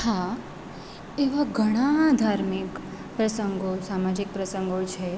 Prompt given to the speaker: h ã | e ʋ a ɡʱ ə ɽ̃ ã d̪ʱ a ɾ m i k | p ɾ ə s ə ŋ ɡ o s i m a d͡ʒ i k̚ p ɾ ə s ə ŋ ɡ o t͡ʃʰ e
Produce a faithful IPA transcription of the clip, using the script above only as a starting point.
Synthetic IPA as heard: h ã | e ʋ a ɡʱ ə ɽ̃ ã d̪ʱ a ɾ m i k | p ɾ ə s ə ŋ ɡ o s a m a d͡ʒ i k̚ p ɾ ə s ə ŋ ɡ o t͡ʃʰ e